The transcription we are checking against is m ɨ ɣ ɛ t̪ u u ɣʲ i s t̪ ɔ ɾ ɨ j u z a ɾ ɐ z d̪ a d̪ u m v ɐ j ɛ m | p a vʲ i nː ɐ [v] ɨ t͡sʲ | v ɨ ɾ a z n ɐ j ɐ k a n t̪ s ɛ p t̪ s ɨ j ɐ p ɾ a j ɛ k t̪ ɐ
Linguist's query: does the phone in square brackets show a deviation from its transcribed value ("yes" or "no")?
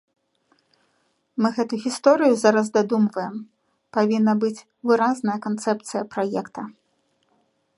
yes